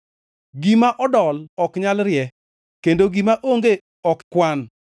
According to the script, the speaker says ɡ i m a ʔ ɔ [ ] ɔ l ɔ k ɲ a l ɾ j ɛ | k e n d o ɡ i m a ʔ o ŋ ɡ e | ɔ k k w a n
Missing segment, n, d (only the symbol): d